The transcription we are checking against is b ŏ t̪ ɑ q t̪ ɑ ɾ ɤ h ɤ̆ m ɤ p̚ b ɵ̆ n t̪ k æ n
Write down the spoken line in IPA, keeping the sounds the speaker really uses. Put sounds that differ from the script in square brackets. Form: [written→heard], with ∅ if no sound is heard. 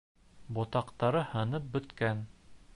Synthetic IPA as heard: b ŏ t̪ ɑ q t̪ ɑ ɾ ɤ h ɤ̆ [m→n] ɤ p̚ b ɵ̆ [n→∅] t̪ k æ n